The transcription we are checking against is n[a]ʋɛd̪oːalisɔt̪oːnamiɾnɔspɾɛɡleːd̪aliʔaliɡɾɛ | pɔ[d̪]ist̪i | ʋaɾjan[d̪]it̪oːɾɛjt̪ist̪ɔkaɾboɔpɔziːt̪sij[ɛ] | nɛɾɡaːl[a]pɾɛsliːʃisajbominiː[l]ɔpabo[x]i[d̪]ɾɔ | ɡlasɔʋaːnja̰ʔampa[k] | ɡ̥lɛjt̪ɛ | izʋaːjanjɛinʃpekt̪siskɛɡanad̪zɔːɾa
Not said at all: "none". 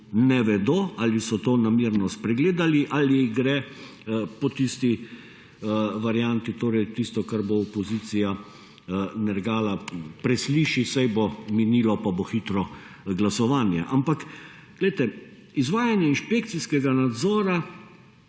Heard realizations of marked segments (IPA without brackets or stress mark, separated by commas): ɛ, t̪, t̪, a, a, l, x, t̪, k